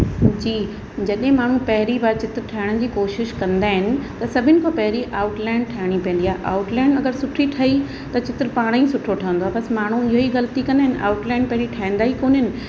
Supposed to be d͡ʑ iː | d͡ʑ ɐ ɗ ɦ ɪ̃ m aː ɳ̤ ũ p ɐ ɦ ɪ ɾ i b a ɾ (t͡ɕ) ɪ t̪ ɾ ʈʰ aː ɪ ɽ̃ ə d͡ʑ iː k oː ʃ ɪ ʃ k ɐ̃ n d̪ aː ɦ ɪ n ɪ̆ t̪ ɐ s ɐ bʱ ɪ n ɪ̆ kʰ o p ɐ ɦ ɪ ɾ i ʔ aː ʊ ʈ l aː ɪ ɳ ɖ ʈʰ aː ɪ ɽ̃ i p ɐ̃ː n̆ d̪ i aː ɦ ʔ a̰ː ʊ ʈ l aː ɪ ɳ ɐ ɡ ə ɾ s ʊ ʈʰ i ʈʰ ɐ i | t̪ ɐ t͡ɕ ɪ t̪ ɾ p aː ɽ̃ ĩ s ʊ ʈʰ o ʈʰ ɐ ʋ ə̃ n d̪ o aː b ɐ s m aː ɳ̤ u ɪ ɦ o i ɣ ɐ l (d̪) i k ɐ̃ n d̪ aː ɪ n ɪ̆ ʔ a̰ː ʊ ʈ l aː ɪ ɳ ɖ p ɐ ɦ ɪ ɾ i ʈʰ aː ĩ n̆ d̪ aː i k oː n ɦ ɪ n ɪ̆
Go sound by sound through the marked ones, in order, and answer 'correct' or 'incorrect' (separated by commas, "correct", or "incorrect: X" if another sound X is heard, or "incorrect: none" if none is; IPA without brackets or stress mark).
correct, incorrect: t̪